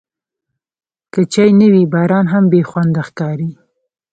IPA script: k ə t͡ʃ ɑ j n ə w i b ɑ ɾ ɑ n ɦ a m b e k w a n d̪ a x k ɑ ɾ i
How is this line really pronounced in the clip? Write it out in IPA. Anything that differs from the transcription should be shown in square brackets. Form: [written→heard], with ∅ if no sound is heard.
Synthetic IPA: k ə t͡ʃ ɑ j n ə w i b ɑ ɾ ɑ n ɦ a m b e [k→x] w a n d̪ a x k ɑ ɾ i